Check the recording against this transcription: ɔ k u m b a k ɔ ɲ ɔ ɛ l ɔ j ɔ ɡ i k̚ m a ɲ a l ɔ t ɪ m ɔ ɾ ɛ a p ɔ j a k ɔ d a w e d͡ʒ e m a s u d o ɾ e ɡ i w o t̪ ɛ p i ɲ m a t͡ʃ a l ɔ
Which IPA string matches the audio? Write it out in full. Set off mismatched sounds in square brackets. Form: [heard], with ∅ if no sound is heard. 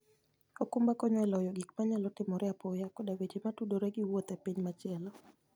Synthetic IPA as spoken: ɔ k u m b a k ɔ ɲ ɔ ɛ l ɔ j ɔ ɡ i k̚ m a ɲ a l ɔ t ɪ m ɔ ɾ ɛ a p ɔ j a k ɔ d a w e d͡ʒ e m a [t] u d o ɾ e ɡ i w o t̪ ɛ p i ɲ m a t͡ʃ [ɛ] l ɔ